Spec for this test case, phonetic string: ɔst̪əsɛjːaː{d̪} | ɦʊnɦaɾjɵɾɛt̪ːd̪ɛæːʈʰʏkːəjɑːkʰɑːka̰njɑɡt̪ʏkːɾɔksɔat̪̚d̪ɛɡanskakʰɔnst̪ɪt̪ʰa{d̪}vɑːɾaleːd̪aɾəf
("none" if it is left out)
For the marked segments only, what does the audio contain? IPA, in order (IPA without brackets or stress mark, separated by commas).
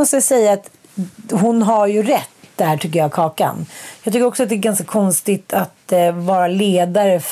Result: t̪, t̪